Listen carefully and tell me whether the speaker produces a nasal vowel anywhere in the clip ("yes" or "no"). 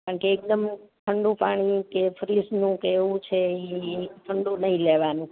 yes